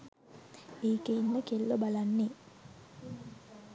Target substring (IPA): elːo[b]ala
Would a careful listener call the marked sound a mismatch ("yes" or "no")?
no